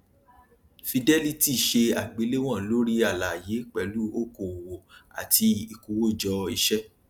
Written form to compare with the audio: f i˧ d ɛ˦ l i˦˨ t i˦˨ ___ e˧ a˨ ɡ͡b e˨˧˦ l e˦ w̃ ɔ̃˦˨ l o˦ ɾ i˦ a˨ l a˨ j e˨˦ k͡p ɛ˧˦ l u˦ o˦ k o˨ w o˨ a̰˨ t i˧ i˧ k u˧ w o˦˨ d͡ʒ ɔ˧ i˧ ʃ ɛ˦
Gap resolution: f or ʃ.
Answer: ʃ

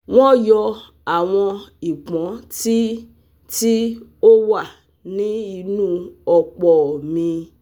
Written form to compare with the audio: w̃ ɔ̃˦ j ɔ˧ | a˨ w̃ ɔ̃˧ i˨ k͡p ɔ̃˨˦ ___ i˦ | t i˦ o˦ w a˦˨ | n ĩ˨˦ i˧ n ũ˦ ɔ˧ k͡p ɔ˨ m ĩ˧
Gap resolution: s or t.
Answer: t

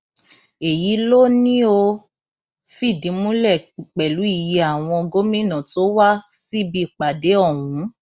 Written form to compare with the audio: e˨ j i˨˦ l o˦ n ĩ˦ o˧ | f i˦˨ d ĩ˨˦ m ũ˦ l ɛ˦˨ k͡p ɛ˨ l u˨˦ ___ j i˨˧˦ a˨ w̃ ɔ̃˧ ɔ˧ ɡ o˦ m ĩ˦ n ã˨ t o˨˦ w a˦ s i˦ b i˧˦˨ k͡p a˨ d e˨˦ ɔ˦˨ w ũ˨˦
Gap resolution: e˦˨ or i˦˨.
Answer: i˦˨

